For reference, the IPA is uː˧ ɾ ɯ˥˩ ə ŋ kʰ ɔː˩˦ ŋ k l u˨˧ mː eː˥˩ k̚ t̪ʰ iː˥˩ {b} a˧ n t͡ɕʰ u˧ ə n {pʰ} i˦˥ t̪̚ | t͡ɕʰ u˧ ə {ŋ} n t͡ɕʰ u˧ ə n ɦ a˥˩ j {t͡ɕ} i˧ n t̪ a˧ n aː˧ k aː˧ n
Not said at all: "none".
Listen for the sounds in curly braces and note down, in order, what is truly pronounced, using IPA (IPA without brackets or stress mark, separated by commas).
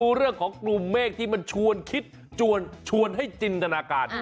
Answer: m, kʰ, none, t͡ɕ